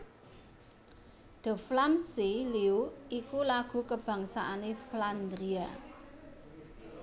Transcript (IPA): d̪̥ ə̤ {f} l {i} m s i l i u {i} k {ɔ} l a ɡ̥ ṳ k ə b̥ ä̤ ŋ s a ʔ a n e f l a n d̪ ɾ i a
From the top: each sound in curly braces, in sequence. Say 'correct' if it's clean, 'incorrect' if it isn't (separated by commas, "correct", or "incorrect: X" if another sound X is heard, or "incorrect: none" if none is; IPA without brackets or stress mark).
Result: correct, incorrect: a, correct, incorrect: u